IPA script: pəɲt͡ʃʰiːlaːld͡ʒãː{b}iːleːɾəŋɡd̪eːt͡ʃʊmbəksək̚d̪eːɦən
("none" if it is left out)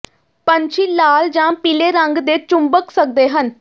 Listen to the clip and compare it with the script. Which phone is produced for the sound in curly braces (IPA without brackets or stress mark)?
p